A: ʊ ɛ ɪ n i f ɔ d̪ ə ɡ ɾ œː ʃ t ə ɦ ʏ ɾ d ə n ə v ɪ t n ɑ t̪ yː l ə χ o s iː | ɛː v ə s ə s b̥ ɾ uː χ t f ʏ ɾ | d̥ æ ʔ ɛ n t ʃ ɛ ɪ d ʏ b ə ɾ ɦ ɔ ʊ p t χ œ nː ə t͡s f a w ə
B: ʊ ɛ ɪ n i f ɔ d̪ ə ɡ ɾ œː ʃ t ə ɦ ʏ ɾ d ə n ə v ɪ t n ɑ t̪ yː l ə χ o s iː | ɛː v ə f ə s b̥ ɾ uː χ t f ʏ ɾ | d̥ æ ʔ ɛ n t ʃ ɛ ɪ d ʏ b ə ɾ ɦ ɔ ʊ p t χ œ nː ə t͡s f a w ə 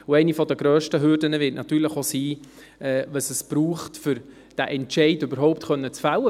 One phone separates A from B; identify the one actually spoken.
A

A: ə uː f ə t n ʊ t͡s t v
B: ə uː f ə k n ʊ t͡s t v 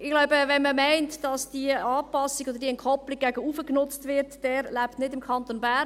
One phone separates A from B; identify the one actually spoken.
B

